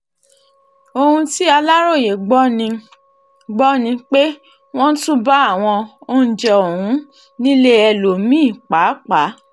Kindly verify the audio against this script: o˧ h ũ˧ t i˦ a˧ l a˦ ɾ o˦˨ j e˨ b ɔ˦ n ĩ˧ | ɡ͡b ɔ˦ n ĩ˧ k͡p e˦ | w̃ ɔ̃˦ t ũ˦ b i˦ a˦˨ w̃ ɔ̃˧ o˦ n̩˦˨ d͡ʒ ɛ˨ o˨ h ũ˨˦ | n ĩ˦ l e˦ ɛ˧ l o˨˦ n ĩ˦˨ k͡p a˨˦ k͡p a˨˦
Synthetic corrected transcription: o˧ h ũ˧ t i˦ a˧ l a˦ ɾ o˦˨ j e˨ ɡ͡b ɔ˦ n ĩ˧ | ɡ͡b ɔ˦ n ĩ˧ k͡p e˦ | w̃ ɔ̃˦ t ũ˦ b a˦ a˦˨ w̃ ɔ̃˧ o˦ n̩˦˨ d͡ʒ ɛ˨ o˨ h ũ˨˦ | n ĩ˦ l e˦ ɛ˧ l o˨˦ m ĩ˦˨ k͡p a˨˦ k͡p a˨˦